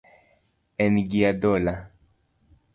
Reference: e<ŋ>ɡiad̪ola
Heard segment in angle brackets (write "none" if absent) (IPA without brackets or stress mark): n